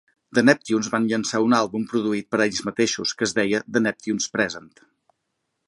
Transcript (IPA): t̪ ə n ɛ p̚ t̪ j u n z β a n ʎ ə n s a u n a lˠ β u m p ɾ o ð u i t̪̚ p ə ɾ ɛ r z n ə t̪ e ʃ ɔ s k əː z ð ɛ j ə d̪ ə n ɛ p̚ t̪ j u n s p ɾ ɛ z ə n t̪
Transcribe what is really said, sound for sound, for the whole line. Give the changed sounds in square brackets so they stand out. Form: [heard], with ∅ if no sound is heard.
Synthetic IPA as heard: [d̪] ə n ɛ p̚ t̪ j u n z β a n ʎ ə n s a u n a lˠ β u m p ɾ [u] ð u i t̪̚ p ə ɾ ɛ [ʎ] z [m] ə t̪ e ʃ [u] s k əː z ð ɛ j ə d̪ ə n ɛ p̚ t̪ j u n s p ɾ ɛ z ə n t̪